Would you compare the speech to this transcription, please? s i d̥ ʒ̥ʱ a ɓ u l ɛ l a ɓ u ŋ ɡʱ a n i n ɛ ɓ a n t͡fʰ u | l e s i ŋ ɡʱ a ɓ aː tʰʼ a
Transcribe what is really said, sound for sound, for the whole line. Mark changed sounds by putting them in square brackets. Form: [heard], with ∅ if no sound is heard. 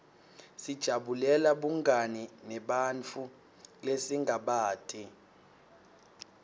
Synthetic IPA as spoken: s i d̥ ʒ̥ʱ a ɓ u l ɛ l a ɓ u ŋ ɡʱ a n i n ɛ ɓ a n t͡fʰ u | l e s i ŋ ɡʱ a ɓ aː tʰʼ [i]

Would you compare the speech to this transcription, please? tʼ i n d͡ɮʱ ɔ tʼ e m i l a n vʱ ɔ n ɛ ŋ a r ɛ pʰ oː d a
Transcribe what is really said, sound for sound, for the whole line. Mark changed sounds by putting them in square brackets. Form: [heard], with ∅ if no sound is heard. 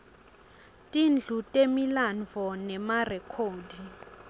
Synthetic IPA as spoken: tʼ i n d͡ɮʱ [u] tʼ e m i l a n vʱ ɔ n ɛ [m] a r ɛ [kʰ] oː d [i]

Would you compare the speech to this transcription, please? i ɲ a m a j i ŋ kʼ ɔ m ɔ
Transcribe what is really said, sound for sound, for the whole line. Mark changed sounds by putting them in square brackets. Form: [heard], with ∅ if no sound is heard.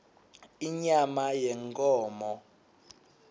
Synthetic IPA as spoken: i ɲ a m a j [ɛ] ŋ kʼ [ɔː] m ɔ

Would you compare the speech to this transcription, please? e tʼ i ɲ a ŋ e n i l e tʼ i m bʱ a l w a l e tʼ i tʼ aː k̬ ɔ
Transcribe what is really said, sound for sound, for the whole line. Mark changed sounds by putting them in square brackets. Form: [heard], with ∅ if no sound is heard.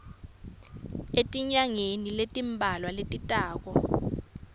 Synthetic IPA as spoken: e tʼ i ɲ a ŋ e n i l e tʼ i m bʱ a l w a l e tʼ i tʼ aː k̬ ɔ

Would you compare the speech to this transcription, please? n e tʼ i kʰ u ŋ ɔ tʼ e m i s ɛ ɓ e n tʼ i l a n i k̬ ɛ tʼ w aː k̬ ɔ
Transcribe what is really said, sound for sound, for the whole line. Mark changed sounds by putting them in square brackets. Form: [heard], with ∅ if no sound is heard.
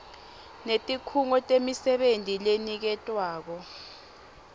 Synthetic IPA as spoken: n e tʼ i kʰ u ŋ ɔ tʼ e m i s ɛ ɓ e n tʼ i l [e] n i k̬ ɛ tʼ w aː k̬ ɔ

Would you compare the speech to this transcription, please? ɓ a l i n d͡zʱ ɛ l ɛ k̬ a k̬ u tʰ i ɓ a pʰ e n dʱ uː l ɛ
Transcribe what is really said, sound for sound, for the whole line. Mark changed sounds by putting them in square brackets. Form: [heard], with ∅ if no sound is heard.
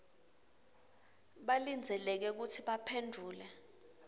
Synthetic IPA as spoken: ɓ a l i n d͡zʱ ɛ l ɛ k̬ [ɛ] k̬ u tʰ i ɓ a pʰ e n dʱ uː l ɛ

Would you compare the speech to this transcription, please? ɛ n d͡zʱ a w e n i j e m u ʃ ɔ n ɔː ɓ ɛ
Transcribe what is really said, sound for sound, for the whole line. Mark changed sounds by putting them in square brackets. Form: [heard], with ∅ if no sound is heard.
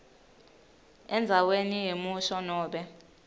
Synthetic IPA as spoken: ɛ n d͡zʱ a w e n i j e m u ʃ ɔ n ɔː ɓ ɛ

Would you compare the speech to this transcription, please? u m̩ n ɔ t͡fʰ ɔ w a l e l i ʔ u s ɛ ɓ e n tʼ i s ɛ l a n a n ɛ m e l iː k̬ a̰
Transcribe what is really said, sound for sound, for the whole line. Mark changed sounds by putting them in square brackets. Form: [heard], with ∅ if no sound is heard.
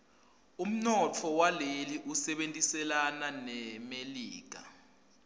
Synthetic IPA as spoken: u m̩ n ɔ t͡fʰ ɔ w a l e l i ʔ u s ɛ ɓ e n tʼ i s ɛ l a n a n ɛ m e l iː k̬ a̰

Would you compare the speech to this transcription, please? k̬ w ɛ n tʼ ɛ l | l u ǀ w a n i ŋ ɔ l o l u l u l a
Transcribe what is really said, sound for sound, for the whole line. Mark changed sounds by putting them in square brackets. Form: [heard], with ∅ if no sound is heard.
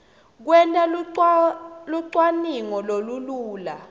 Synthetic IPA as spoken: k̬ w ɛ n tʼ [a] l | l u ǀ w a n i ŋ ɔ l o l u l [uː] l a

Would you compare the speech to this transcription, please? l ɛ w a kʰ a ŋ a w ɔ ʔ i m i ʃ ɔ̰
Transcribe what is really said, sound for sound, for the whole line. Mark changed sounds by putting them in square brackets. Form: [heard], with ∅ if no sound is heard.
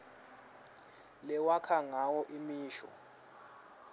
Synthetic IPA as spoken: l ɛ w a kʰ a ŋ a w ɔ ʔ i m [iː] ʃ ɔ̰

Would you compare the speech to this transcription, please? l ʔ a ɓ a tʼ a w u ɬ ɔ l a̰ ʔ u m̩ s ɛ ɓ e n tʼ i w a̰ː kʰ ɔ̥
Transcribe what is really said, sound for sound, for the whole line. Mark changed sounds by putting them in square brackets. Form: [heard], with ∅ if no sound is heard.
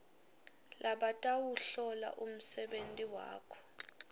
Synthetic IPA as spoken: l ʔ a ɓ a tʼ a w u ɬ ɔ l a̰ ʔ u m̩ s ɛ ɓ e n tʼ i w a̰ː kʰ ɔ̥

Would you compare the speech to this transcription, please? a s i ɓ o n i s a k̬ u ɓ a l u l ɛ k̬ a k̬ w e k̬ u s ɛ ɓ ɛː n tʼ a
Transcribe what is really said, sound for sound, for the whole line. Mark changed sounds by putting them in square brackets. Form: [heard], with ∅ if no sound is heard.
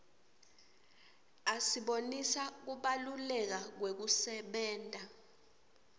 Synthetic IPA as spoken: a s i ɓ o n i s a k̬ u ɓ a l u l ɛ k̬ a k̬ w e k̬ u s ɛ ɓ ɛː n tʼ a

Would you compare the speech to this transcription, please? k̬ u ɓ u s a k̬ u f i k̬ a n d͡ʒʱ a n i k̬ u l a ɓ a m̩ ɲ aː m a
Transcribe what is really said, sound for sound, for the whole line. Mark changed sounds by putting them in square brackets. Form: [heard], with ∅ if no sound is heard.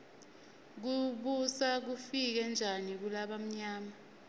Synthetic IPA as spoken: k̬ u ɓ u s a k̬ u f i k̬ [ɛ] n d͡ʒʱ a n i k̬ u l a ɓ a m̩ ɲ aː m a

